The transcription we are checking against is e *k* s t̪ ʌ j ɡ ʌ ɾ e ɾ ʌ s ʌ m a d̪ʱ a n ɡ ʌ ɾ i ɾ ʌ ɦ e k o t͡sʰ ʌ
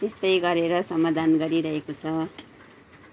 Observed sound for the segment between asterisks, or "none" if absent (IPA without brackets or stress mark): none